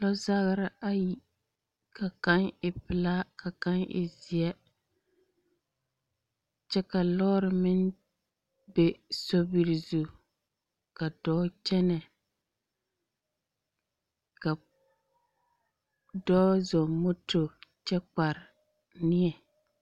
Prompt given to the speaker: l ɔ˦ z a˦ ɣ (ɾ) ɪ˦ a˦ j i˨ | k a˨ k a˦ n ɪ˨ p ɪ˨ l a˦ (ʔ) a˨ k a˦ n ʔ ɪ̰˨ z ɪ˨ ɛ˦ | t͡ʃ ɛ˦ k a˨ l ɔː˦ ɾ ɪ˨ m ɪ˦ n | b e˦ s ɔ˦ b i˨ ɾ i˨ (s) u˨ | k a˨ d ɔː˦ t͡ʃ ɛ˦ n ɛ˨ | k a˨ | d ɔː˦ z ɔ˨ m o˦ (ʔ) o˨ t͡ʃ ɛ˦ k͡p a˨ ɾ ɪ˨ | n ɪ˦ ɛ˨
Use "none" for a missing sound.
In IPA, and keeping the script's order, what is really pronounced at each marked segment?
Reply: ɾ, k, z, t

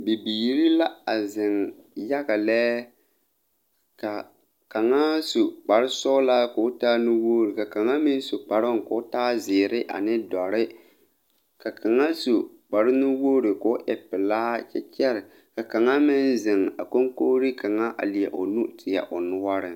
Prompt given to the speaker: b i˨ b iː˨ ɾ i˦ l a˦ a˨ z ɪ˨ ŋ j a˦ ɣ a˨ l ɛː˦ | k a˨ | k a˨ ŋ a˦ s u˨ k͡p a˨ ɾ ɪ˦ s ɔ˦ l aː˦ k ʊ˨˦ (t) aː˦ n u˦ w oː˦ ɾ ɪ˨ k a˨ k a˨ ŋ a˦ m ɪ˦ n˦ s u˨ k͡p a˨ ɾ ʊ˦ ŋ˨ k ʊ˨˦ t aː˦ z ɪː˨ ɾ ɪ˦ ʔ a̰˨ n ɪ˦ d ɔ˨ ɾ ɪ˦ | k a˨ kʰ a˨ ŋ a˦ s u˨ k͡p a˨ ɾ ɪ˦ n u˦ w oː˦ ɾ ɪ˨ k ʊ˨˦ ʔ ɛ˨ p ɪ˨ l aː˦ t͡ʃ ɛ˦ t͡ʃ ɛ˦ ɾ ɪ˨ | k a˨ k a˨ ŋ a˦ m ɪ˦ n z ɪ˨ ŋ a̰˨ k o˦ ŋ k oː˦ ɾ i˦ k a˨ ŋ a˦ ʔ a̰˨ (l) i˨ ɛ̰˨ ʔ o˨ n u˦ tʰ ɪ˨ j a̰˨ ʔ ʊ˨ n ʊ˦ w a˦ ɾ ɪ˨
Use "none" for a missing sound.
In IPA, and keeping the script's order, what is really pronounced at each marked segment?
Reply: t, l

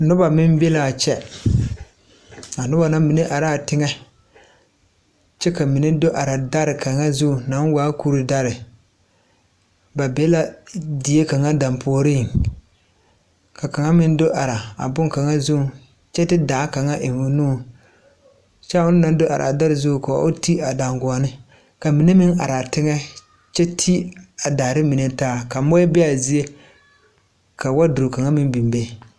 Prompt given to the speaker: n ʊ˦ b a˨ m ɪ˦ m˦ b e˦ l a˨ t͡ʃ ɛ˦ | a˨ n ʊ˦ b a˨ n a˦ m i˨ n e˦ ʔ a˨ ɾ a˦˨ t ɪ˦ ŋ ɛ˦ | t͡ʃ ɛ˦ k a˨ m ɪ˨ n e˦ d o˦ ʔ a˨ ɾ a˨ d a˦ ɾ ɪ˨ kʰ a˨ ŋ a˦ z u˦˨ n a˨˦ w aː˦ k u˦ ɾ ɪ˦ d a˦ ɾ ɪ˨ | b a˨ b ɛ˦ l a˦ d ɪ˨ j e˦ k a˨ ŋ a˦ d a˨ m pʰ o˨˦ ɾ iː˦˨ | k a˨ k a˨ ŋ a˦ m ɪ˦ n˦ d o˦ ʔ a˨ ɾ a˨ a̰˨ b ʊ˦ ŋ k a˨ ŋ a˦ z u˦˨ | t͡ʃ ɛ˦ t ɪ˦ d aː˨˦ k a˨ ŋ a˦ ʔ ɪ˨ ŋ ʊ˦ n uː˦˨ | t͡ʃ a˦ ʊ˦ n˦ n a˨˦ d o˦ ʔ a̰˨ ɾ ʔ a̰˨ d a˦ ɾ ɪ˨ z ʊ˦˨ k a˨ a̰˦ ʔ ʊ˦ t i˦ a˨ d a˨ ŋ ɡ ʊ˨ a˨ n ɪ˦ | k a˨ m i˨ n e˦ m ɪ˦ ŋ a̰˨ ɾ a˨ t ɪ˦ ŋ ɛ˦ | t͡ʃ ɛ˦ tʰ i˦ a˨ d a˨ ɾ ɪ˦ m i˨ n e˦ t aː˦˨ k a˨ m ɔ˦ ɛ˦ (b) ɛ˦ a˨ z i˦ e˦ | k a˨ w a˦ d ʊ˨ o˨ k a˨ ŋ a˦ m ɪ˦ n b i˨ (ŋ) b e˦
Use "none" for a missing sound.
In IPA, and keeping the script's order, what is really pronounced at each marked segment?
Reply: b, m

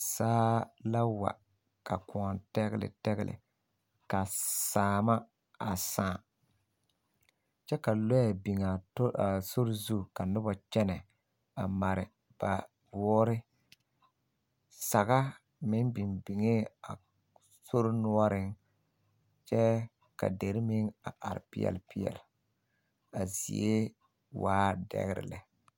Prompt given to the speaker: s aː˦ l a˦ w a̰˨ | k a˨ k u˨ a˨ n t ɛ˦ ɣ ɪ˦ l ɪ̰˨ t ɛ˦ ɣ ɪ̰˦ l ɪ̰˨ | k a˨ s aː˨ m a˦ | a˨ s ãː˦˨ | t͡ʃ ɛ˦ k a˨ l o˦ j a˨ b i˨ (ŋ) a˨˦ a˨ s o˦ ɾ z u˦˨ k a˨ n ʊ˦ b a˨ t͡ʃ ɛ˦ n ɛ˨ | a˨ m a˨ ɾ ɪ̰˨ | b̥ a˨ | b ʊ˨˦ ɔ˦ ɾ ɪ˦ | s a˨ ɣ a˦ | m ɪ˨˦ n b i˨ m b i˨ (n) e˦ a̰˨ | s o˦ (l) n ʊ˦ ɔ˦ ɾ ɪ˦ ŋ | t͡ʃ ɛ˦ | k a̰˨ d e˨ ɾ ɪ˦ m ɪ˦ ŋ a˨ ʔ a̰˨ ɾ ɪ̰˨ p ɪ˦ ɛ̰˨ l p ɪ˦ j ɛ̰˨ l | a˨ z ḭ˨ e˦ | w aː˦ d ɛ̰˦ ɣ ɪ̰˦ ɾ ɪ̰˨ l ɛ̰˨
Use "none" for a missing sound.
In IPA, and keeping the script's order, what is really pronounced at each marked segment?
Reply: ŋ, ŋ, ɾ

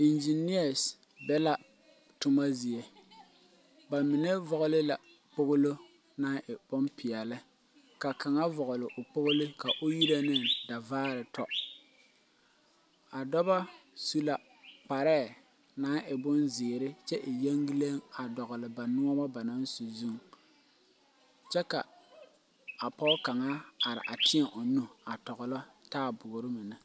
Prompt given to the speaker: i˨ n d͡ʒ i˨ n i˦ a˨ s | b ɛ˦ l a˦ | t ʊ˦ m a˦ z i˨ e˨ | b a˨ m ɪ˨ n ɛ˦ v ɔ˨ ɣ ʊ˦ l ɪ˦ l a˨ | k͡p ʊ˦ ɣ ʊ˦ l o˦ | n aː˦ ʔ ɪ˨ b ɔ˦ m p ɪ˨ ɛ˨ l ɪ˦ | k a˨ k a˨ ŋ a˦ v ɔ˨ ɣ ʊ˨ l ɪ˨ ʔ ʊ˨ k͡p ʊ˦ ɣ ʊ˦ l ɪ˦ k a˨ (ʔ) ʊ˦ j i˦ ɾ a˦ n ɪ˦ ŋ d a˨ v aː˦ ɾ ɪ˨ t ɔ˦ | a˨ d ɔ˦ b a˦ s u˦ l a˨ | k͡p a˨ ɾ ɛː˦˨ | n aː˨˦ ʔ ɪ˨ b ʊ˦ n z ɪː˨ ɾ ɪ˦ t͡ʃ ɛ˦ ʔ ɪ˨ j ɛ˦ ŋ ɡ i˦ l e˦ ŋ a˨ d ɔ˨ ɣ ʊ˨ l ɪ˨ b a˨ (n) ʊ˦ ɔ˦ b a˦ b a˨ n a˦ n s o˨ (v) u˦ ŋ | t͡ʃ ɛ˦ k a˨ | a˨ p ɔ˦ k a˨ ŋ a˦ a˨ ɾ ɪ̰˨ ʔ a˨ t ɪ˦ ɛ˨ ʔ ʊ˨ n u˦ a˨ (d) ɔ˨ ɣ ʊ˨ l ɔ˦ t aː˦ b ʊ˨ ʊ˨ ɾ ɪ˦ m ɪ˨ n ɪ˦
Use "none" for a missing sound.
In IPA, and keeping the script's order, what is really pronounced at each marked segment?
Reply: ʔ, n, z, t

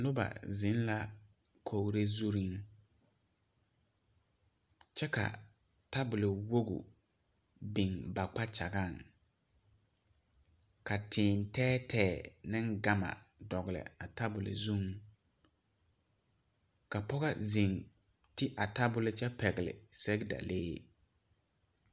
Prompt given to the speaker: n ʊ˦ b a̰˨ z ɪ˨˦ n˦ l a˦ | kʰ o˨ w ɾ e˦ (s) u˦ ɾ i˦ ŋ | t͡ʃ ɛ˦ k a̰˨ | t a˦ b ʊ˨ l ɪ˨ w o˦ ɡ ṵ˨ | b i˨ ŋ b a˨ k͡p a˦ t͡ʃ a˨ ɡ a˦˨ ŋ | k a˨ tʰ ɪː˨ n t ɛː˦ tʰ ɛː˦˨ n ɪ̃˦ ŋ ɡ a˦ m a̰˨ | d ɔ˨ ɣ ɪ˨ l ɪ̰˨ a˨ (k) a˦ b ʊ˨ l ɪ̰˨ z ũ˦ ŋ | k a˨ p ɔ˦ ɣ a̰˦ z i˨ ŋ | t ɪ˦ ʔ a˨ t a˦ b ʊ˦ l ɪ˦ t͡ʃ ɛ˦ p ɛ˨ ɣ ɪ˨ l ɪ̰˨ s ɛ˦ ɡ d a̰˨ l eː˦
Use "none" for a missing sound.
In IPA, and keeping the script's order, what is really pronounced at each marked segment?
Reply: z, t

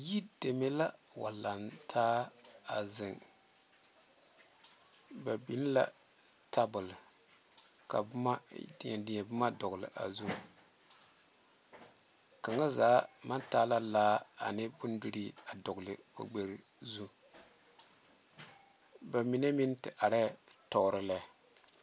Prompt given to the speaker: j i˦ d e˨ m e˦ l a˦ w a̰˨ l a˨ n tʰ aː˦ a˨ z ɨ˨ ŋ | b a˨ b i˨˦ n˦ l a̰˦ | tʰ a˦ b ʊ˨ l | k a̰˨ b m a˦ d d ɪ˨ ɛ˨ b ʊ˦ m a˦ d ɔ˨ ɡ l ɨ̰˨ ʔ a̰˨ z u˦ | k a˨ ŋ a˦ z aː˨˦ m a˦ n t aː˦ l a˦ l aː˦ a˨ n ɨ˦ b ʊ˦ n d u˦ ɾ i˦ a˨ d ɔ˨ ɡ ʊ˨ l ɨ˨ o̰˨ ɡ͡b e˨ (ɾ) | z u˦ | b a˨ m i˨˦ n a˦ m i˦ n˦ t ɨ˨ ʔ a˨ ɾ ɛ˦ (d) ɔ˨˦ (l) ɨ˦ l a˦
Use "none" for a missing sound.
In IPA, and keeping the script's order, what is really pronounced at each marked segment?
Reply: ɾ, t, ɾ

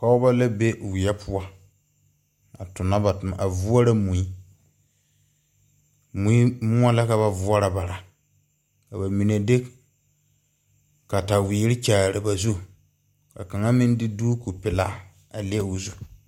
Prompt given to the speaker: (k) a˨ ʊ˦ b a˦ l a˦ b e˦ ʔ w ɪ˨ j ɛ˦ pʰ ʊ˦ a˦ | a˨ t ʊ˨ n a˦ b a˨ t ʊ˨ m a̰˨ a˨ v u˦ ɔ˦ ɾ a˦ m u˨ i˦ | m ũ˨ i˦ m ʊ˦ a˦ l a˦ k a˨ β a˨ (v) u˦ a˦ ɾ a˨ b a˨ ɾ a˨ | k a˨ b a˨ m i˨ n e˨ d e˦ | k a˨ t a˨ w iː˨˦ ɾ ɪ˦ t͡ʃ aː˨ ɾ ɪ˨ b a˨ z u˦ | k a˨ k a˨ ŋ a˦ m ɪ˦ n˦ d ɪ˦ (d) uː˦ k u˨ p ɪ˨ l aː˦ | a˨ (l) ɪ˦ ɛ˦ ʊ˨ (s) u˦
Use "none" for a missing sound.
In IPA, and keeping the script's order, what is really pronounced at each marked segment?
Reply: k, v, d, l, z

